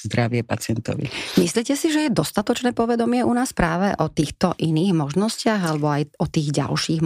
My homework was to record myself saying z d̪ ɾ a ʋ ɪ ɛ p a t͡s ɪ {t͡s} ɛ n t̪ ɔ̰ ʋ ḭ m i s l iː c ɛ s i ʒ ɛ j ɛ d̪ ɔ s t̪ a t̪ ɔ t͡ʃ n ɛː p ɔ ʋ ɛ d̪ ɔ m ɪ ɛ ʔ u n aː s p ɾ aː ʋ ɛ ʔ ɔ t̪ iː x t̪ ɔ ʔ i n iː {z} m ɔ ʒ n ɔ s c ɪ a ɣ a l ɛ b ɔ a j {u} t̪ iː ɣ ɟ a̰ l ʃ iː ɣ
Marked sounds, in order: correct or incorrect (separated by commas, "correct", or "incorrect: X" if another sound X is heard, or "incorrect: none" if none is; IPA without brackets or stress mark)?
incorrect: none, incorrect: ɣ, incorrect: ɔ